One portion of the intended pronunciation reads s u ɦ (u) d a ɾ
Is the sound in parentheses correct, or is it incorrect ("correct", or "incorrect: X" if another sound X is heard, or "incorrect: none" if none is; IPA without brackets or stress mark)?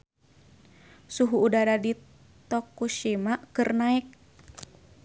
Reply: incorrect: uː